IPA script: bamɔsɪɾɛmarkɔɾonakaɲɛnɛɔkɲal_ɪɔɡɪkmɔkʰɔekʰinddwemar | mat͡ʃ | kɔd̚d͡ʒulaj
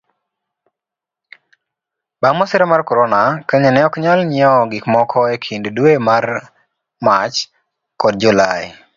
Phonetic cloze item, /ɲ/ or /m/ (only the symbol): ɲ